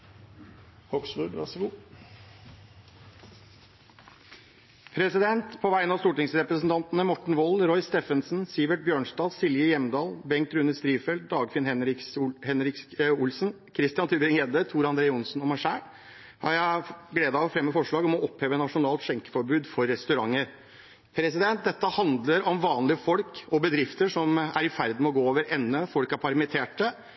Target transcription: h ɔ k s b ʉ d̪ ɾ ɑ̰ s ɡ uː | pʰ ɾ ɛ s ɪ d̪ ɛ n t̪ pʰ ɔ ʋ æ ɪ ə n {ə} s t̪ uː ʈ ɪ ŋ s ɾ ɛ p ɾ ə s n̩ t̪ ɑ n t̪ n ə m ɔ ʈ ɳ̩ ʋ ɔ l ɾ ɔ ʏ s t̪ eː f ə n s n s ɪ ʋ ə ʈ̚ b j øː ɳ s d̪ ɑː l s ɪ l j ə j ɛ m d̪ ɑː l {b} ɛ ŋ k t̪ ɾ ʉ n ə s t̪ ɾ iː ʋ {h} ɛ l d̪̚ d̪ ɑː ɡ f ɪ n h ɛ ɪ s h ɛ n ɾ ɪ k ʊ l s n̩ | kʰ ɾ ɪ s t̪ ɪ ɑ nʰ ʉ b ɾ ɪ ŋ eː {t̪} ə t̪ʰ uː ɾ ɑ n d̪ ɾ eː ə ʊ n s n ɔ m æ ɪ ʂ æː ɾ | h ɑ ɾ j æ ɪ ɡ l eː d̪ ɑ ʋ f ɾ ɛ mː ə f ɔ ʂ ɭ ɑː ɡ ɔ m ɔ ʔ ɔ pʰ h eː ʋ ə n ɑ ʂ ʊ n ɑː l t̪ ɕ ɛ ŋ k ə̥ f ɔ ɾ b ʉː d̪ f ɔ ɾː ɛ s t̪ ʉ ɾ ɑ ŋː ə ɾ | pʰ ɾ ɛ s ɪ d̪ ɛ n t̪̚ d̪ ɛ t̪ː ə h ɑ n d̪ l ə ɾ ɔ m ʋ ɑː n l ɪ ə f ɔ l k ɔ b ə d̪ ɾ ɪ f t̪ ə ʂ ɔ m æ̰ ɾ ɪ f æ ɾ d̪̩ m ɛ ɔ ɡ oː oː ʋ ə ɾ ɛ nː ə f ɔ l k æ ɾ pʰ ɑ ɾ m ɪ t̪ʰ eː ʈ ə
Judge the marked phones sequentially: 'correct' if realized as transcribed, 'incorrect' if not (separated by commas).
incorrect, correct, incorrect, incorrect